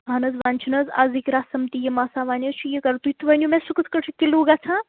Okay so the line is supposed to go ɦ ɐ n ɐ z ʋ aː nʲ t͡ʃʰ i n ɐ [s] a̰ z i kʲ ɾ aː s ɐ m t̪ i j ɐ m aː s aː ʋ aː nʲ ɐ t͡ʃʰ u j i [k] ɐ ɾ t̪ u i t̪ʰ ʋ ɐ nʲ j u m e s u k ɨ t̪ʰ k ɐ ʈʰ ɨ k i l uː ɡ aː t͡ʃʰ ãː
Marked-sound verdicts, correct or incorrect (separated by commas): incorrect, correct